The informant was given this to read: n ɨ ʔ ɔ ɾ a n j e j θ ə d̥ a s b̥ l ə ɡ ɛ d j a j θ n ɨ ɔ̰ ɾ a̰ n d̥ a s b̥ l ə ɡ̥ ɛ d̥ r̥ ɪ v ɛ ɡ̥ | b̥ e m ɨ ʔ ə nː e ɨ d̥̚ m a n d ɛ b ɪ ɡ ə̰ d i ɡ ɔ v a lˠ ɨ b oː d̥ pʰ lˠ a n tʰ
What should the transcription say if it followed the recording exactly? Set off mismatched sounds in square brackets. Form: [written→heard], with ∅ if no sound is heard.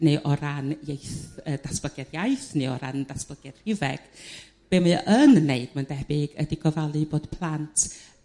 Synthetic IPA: n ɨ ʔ ɔ ɾ a n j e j θ ə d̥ a s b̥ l ə ɡ ɛ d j a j θ n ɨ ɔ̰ ɾ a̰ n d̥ a s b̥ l ə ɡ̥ ɛ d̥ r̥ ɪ v ɛ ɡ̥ | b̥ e m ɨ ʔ ə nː e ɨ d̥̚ m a n d ɛ b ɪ ɡ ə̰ d i ɡ ɔ v a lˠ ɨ b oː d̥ pʰ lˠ a n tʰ